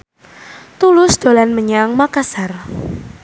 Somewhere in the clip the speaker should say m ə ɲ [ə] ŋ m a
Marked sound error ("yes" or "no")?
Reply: yes